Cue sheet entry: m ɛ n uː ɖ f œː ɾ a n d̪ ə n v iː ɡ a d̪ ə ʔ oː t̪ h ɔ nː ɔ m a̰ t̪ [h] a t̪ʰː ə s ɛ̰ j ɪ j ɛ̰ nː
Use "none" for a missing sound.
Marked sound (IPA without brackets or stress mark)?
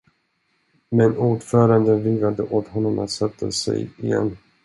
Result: s